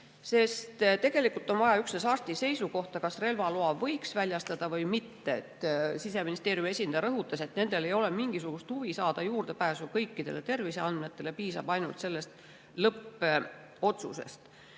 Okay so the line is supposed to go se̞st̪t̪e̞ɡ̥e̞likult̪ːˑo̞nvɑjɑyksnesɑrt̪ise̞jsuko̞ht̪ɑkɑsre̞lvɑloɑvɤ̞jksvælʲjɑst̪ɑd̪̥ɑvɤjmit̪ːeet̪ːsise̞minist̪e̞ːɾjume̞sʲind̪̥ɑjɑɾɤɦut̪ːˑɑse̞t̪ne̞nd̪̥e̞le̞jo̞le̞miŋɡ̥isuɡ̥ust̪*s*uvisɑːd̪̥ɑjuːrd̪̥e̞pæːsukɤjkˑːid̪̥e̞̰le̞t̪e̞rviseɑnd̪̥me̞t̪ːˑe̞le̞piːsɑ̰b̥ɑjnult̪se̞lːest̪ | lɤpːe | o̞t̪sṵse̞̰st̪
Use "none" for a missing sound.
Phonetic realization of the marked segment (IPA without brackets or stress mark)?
h